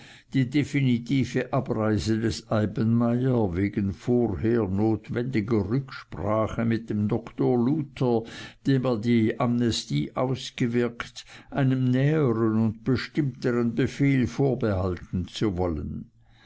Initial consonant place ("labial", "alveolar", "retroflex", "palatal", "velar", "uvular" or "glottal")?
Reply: alveolar